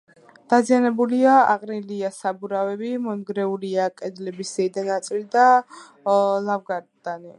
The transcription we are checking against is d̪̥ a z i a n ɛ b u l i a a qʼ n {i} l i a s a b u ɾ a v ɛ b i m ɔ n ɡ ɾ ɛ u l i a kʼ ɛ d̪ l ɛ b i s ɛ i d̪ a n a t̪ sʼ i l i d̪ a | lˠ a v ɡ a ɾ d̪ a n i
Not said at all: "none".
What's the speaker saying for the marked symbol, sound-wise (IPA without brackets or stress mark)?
i